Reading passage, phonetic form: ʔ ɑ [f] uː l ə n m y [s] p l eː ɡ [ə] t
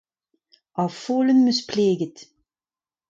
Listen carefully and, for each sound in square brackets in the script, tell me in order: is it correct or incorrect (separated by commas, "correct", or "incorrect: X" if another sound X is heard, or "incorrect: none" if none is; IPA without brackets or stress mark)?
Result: correct, correct, correct